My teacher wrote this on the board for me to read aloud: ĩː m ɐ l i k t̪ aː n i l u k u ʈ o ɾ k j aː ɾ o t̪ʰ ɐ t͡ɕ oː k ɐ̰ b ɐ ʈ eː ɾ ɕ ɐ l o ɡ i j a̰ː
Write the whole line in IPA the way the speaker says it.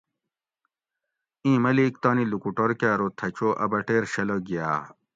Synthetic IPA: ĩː m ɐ l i k t̪ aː n i l u k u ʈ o ɾ k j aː ɾ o t̪ʰ ɐ t͡ɕ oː ʔ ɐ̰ b ɐ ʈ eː ɾ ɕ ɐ l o ɡ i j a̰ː

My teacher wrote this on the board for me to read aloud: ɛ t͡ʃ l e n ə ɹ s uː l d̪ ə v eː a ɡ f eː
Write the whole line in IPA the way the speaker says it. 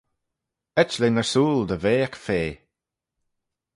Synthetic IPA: ɛ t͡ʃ l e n ə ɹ s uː l d̪ ə v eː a k f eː

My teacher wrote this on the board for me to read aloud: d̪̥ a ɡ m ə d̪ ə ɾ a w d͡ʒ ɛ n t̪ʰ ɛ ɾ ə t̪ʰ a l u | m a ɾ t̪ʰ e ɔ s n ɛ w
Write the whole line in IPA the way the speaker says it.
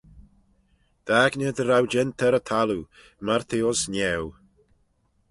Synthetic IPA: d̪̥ a ɡ n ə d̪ ə ɾ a w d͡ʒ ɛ n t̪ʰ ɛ ɾ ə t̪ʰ a l u | m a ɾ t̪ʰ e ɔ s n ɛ w

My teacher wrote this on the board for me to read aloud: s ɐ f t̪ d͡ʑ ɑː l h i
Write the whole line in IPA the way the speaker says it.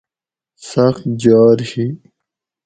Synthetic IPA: s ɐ x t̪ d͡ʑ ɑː ɾ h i

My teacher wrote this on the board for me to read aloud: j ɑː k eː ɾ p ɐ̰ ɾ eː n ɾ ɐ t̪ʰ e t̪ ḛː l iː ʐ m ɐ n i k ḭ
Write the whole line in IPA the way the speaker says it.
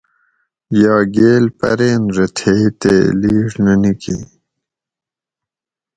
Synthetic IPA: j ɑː ɡ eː l p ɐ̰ ɾ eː n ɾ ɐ t̪ʰ e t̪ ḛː l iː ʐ n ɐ n i k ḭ

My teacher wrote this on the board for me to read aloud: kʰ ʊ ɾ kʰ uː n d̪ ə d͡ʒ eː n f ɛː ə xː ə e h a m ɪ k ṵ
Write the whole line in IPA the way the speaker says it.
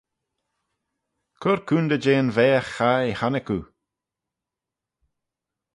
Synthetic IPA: kʰ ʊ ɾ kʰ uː n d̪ ə d͡ʒ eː n v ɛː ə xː a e h a n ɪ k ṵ

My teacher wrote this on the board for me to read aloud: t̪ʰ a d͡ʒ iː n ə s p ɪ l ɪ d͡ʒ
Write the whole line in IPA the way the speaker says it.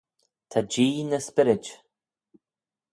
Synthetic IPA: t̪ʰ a d͡ʒ iː n ə s p ɪ ɾ ɪ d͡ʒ

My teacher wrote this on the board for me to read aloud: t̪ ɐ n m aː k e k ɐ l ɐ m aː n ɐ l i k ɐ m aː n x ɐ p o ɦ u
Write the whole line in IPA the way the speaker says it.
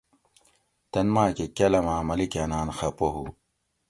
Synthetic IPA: t̪ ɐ n m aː k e k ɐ l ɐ m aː m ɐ l i k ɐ n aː n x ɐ p o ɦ u

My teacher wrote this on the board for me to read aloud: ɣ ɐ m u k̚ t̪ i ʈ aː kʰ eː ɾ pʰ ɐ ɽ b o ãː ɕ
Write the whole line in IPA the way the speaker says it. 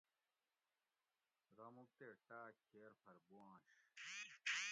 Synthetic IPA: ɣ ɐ m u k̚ t̪ e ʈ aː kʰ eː ɾ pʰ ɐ ɾ b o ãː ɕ

